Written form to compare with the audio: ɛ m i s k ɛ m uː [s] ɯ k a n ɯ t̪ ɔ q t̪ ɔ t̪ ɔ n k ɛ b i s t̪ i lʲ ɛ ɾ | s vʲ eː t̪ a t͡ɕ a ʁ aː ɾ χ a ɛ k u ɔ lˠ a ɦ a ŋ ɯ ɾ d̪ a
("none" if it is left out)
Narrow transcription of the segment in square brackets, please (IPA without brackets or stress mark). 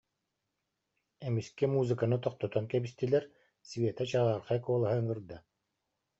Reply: z